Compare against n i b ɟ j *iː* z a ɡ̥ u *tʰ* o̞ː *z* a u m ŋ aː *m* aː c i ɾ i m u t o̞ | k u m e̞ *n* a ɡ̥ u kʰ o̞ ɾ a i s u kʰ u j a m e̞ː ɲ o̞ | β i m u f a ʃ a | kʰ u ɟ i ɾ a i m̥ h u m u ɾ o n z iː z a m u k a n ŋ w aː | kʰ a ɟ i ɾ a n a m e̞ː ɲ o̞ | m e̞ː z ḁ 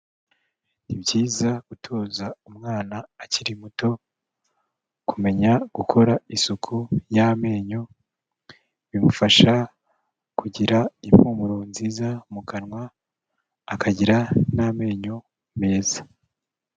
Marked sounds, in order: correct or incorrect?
correct, correct, correct, incorrect, incorrect

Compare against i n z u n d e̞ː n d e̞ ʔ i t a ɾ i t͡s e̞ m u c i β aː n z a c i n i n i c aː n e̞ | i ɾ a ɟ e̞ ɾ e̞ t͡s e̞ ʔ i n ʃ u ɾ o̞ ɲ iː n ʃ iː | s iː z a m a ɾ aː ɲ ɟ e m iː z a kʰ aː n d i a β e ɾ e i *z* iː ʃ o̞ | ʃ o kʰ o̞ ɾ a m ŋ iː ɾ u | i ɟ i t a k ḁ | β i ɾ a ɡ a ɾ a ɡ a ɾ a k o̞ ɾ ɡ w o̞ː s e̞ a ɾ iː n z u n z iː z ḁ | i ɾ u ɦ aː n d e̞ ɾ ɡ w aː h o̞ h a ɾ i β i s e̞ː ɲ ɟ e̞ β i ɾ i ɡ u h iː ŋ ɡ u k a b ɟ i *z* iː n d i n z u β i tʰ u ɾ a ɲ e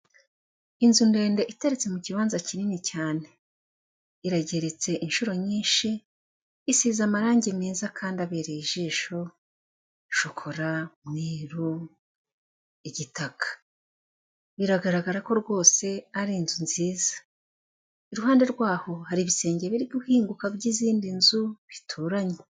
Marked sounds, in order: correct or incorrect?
incorrect, correct

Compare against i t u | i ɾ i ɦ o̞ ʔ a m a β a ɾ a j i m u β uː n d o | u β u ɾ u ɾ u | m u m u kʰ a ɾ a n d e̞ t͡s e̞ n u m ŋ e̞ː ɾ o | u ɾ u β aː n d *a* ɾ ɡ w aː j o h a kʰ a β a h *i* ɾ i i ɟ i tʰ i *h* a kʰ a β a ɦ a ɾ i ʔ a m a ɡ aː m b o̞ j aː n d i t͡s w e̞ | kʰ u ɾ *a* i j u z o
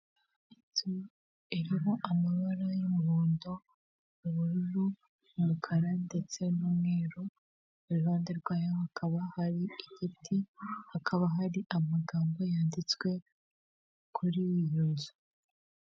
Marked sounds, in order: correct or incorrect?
incorrect, incorrect, correct, incorrect

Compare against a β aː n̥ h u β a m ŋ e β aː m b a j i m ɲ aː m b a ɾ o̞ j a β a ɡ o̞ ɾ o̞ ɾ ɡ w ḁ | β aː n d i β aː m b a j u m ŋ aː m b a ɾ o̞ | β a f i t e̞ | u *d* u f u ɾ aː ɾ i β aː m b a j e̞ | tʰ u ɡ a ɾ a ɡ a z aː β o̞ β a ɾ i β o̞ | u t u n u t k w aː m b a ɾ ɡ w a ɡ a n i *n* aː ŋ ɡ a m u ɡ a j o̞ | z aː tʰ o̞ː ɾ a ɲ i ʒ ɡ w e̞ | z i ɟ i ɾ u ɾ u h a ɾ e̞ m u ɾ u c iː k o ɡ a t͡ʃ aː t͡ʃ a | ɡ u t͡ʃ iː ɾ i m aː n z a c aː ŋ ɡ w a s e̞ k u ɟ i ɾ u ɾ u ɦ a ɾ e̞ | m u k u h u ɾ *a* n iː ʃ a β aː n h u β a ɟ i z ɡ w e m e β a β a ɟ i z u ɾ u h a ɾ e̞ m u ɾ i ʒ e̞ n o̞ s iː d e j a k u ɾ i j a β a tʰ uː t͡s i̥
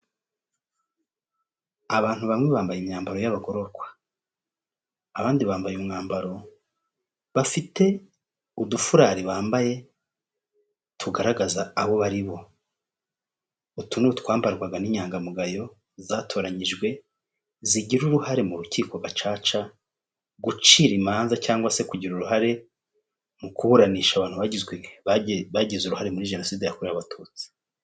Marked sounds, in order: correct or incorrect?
correct, incorrect, correct

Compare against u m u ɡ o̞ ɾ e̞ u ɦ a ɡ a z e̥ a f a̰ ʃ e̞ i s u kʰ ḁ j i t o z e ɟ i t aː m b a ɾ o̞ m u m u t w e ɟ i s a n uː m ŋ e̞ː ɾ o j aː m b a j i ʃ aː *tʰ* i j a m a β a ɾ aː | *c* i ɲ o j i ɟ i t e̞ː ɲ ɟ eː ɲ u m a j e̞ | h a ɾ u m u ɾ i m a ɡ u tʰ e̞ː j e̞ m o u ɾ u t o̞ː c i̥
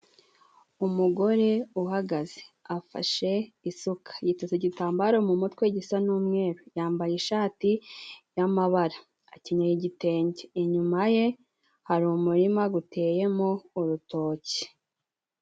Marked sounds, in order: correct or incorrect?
incorrect, correct

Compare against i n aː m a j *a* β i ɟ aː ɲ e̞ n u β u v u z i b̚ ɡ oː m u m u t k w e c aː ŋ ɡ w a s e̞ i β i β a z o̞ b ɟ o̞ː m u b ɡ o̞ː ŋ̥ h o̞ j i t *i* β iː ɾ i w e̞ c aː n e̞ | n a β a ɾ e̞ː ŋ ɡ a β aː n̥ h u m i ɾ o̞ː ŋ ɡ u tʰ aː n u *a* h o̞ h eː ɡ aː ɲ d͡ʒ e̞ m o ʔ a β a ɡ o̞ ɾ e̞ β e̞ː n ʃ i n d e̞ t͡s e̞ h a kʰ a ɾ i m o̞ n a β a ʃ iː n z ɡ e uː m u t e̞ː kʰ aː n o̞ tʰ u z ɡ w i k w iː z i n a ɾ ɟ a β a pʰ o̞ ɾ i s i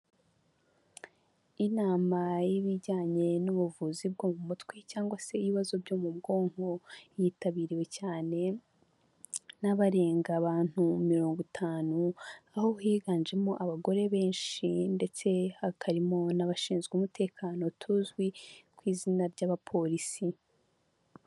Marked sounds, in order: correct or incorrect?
incorrect, incorrect, correct

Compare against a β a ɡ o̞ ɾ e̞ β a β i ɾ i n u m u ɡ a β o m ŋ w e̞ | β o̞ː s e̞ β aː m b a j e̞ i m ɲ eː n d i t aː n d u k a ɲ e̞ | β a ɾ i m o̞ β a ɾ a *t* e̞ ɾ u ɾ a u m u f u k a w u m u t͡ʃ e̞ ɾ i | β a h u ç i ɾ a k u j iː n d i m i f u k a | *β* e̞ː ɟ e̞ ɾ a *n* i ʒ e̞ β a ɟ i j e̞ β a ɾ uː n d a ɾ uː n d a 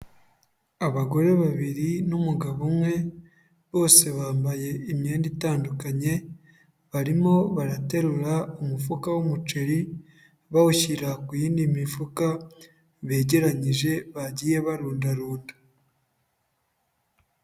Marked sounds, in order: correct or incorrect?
correct, correct, incorrect

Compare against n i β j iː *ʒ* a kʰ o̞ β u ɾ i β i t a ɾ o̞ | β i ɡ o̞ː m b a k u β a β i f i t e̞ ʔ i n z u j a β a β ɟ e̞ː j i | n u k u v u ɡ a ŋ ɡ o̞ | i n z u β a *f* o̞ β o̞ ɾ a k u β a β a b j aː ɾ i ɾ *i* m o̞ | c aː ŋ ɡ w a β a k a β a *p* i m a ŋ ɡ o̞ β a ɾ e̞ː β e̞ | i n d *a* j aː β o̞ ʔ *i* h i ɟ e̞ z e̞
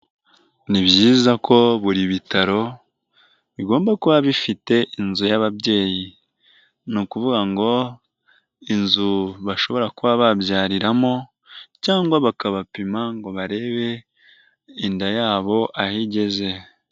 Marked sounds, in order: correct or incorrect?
incorrect, incorrect, incorrect, correct, correct, incorrect

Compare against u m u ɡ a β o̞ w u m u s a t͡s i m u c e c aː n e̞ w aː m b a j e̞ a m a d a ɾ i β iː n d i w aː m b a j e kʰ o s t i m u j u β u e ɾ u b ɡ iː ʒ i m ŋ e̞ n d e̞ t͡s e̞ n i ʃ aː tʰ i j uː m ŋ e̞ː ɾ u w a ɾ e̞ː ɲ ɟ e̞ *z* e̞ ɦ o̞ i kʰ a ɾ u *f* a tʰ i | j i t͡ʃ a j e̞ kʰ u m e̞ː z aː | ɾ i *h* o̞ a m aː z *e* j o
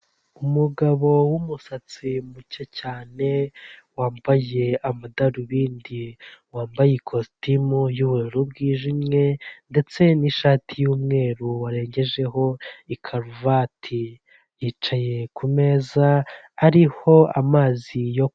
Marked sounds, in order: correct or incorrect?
incorrect, incorrect, correct, incorrect

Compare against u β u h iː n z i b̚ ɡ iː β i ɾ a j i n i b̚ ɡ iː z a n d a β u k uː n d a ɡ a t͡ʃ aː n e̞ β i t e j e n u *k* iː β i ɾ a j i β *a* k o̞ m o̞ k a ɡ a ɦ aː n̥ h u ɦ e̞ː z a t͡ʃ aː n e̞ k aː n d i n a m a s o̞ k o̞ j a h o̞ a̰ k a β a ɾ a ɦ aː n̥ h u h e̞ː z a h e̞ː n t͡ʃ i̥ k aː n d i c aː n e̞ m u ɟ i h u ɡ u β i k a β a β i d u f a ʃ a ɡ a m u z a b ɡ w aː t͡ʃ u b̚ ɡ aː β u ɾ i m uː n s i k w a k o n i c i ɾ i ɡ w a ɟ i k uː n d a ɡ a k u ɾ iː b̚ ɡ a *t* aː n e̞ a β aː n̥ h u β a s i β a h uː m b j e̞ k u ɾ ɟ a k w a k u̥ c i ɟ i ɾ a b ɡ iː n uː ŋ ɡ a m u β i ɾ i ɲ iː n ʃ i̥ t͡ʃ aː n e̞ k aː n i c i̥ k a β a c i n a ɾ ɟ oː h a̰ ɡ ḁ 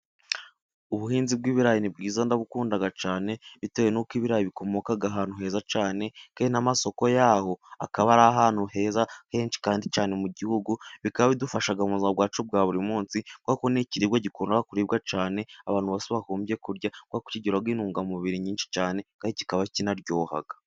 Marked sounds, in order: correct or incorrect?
correct, incorrect, incorrect

